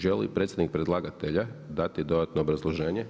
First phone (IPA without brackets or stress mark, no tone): ʒ